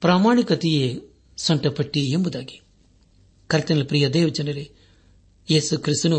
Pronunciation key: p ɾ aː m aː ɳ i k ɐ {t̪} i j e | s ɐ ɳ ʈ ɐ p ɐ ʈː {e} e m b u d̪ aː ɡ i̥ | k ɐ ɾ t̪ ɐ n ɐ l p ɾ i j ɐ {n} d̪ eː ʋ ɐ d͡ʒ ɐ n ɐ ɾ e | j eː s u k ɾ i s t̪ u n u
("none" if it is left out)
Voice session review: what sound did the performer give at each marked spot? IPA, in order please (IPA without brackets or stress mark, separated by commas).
t̪, i, none